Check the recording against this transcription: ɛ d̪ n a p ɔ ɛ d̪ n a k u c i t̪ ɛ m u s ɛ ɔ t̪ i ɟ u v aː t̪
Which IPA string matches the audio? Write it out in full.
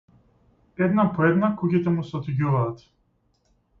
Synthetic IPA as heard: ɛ d̪ n a p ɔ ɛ d̪ n a k u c i t̪ ɛ m u s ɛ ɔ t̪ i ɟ u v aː t̪

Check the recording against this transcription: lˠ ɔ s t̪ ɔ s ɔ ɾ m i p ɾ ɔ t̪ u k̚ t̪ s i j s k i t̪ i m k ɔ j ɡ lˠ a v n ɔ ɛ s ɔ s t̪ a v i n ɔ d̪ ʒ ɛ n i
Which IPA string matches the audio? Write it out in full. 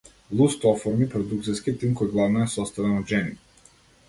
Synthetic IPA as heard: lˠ u s t̪ ɔ f ɔ ɾ m i p ɾ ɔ d̪ u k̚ t̪ s i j s k i t̪ i m k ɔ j ɡ lˠ a v n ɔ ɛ s ɔ s t̪ a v ɛ n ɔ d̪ ʒ ɛ n i

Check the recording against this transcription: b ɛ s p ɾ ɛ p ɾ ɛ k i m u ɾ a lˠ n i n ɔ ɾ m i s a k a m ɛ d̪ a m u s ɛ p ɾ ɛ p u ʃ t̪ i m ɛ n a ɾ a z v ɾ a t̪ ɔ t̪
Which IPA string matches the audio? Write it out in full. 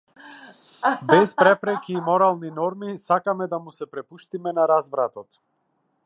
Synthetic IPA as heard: b ɛ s p ɾ ɛ p ɾ ɛ k iː m ɔ ɾ a lˠ n i n ɔ ɾ m i s a k a m ɛ d̪ a m u s ɛ p ɾ ɛ p u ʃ t̪ i m ɛ n a ɾ a z v ɾ a t̪ ɔ t̪

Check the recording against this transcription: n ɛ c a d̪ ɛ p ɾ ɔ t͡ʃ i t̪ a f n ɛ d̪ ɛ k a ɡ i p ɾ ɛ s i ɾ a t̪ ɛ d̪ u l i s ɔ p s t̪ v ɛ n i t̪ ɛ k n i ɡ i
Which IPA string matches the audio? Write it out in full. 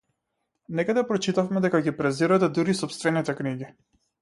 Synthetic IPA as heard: n ɛ k a d̪ ɛ p ɾ ɔ t͡ʃ i t̪ a f m ɛ d̪ ɛ k a ɡ i p ɾ ɛ z i ɾ a t̪ ɛ d̪ u ɾ i s ɔ p s t̪ v ɛ n i t̪ ɛ k n i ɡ i

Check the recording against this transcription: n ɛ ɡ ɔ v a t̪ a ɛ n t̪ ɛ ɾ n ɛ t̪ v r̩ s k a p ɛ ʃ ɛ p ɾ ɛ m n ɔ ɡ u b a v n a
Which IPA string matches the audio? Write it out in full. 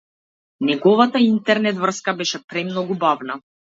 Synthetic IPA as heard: n ɛ ɡ ɔ v a t̪ a i n t̪ ɛ ɾ n ɛ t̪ v r̩ s k a b ɛ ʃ ɛ p ɾ ɛ m n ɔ ɡ u b a v n a

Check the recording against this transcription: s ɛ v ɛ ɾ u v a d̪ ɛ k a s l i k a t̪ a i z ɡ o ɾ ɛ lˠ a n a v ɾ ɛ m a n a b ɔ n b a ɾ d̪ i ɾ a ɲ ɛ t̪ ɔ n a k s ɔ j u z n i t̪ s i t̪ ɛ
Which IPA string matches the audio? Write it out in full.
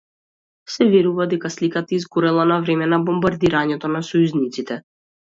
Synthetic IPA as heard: s ɛ v ɛ ɾ u v a d̪ ɛ k a s l i k a t̪ a i z ɡ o ɾ ɛ lˠ a n a v ɾ ɛ m ɛ n a b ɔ m b a ɾ d̪ i ɾ a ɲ ɛ t̪ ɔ n a s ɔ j u z n i t̪ s i t̪ ɛ

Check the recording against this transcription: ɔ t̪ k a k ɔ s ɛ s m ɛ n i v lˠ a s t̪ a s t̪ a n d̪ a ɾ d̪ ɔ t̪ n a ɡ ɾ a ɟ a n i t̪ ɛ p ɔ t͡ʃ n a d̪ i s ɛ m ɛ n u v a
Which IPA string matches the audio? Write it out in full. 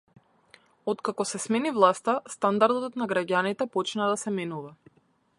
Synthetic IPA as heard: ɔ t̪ k a k ɔ s ɛ s m ɛ n i v lˠ a s t̪ a s t̪ a n d̪ a ɾ d̪ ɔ t̪ n a ɡ ɾ a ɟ a n i t̪ ɛ p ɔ t͡ʃ n a d̪ a s ɛ m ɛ n u v a

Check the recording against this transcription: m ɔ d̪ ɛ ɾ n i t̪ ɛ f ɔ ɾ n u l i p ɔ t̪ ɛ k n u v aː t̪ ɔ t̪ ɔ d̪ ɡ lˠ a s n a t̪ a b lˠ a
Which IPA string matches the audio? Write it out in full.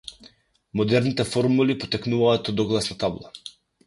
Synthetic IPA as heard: m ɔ d̪ ɛ ɾ n i t̪ ɛ f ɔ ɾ m u l i p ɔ t̪ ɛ k n u v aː t̪ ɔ d̪ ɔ ɡ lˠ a s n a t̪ a b lˠ a

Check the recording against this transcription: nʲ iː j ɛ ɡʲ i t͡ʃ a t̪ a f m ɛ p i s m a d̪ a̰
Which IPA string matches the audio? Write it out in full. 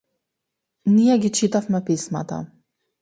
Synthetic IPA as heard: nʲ i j ɛ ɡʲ i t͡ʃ i t̪ a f m ɛ p i s m a t̪ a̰

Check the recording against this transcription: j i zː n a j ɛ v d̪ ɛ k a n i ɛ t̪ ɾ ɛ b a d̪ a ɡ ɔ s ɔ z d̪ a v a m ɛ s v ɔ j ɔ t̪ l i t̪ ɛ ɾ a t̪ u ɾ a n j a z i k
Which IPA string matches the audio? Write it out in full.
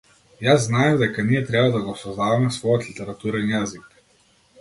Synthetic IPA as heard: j a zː n a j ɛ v d̪ ɛ k a n i ɛ t̪ ɾ ɛ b a d̪ a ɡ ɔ s ɔ z d̪ a v a m ɛ s v ɔ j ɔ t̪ l i t̪ ɛ ɾ a t̪ u ɾ ɛ n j a z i k

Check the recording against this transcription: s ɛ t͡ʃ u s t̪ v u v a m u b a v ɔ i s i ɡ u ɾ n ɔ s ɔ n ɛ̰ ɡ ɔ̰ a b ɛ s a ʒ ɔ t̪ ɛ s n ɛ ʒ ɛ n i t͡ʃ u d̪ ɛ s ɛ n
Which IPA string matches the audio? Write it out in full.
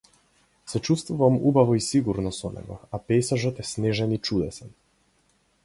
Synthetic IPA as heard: s ɛ t͡ʃ u s t̪ v u v a m u b a v ɔ i s i ɡ u ɾ n ɔ s ɔ n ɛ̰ ɡ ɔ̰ a p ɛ s a ʒ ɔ t̪ ɛ s n ɛ ʒ ɛ n i t͡ʃ u d̪ ɛ s ɛ n

